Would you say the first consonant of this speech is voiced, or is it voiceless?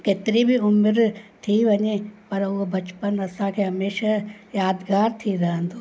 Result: voiceless